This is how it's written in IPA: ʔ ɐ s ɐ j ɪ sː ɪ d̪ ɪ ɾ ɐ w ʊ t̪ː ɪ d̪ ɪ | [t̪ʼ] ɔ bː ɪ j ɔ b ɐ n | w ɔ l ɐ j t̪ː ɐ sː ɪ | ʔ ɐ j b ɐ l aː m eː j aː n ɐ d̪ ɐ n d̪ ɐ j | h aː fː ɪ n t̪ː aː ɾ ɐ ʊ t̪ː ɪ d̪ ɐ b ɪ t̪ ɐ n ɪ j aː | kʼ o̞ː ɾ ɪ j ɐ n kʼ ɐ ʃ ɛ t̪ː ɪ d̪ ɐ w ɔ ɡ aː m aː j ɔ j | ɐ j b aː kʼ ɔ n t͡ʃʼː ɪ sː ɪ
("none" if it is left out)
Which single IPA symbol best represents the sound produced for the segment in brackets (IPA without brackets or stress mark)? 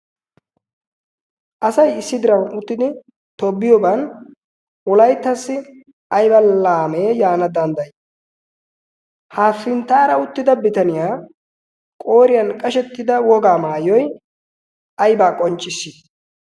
t̪